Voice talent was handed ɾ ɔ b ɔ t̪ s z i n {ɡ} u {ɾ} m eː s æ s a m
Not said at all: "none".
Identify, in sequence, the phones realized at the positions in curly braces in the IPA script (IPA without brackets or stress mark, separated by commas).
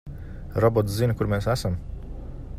k, ɾ